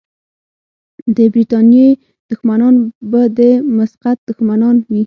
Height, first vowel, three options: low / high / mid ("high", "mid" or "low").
mid